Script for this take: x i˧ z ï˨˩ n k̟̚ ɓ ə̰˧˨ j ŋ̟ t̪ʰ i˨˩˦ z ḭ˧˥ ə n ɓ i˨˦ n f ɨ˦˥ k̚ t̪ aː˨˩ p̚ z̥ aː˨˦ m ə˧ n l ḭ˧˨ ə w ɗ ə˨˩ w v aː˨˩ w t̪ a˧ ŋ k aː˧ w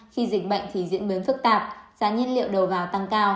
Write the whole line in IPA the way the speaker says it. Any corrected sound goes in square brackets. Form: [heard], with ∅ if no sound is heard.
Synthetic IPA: x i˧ z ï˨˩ [∅] k̟̚ ɓ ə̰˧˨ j ŋ̟ t̪ʰ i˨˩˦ z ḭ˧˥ ə n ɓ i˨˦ n f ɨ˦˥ k̚ t̪ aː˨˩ p̚ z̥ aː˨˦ [ɲ] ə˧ n l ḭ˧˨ ə w ɗ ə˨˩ w v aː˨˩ w t̪ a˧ ŋ k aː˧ w